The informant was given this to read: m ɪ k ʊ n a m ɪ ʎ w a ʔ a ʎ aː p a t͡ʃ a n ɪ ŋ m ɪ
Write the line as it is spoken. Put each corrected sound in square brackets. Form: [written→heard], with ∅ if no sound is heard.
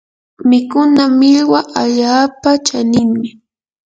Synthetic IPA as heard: m ɪ k ʊ n a m ɪ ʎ w a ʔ a ʎ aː p a t͡ʃ a n ɪ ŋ m ɪ